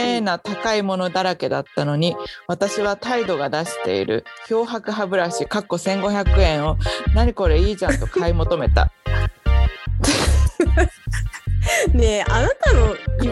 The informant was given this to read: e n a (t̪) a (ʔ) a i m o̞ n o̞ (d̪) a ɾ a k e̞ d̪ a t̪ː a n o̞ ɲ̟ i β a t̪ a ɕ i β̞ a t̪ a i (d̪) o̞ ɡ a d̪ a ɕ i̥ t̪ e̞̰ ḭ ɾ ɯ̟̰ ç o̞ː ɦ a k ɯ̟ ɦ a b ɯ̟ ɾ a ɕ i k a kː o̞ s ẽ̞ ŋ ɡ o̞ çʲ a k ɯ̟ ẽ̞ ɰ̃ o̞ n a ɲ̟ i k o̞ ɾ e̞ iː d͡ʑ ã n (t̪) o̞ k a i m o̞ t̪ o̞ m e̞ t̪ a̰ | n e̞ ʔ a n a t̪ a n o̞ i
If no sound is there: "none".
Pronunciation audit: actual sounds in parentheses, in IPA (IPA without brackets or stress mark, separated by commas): t̪, k, d̪, d̪, t̪